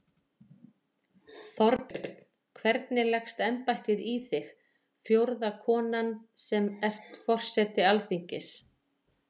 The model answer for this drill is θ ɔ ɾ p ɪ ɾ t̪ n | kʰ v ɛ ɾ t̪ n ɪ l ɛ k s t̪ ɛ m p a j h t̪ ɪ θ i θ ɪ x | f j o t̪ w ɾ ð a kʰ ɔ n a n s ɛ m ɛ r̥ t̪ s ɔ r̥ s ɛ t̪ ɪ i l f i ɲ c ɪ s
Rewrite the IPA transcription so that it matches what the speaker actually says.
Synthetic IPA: θ ɔ ɾ p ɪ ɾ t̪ n | kʰ v ɛ ɾ t̪ n ɪ l ɛ x s t̪ ɛ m p a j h t̪ ɪ ð i θ ɪ x | f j o w ɾ ð a kʰ ɔː n a n s ɛ m ɛ r̥ t̪ f ɔ r̥ s ɛ t̪ ɪ a l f i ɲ c ɪ s